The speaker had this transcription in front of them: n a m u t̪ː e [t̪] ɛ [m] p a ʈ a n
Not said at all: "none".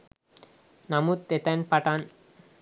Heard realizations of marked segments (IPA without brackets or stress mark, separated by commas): t̪, n